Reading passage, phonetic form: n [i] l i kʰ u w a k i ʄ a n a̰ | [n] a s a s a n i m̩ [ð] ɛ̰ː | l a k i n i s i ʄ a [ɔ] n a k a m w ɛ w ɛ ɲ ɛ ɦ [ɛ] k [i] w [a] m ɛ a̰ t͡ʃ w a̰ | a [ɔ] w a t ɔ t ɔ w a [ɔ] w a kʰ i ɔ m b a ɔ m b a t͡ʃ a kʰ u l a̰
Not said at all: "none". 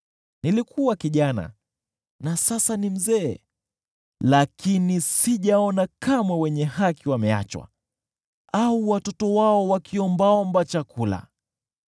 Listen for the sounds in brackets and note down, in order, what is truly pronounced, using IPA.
i, n, z, ɔ, a, i, a, u, ɔ

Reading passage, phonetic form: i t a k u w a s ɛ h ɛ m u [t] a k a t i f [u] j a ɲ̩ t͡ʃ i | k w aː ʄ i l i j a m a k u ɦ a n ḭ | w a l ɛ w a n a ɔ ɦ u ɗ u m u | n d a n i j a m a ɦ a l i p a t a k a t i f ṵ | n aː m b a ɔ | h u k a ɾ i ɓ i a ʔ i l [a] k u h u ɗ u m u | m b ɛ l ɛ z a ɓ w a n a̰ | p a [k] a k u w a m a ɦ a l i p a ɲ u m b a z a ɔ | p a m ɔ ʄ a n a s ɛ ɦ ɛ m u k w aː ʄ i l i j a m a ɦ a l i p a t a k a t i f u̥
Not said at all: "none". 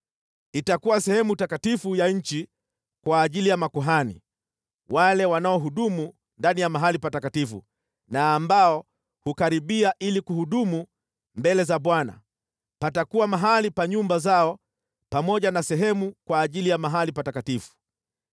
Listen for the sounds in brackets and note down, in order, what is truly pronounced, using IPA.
t, u, i, t

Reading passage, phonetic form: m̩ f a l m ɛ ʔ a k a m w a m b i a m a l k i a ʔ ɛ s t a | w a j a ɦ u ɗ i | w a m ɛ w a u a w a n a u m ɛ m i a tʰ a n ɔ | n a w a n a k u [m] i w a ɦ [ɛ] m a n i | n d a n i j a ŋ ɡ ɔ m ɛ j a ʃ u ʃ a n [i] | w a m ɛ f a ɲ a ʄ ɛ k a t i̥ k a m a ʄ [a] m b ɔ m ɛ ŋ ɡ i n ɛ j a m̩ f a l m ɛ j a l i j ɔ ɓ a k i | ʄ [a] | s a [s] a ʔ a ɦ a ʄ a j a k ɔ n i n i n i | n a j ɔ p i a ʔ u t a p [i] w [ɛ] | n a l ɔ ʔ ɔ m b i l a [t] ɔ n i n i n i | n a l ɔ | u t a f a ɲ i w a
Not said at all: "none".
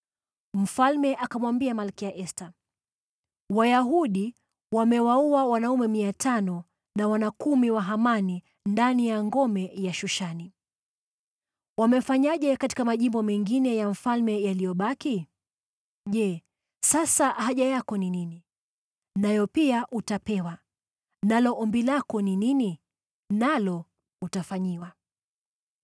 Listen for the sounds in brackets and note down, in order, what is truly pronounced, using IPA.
m, a, i, i, ɛ, s, ɛ, a, k

